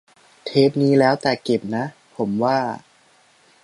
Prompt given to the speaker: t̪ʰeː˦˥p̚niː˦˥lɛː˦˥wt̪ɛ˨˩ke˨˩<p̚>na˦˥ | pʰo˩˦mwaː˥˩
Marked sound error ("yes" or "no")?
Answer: no